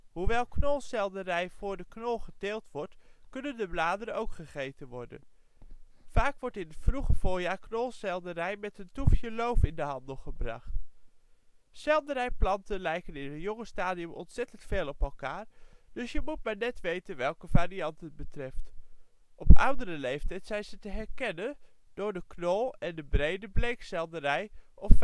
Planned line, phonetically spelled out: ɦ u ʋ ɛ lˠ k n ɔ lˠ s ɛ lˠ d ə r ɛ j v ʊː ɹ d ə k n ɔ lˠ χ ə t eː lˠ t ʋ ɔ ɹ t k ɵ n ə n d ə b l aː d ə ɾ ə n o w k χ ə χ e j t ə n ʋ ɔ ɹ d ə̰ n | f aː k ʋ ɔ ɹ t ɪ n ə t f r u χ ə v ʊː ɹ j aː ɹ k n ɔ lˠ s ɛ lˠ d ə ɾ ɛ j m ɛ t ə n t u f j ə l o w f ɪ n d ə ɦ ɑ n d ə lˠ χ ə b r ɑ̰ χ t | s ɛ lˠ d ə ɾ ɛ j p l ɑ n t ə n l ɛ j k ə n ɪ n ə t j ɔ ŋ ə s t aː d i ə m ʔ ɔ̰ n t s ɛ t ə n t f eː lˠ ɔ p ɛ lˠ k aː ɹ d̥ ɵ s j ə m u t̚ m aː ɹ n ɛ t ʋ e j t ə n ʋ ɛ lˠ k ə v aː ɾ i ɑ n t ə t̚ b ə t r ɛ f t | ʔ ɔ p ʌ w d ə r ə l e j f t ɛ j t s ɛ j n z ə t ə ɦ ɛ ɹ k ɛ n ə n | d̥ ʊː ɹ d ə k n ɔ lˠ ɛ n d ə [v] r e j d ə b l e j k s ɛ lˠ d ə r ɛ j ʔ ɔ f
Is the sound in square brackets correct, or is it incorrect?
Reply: incorrect